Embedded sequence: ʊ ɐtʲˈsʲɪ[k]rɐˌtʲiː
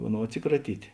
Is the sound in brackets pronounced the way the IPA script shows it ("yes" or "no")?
yes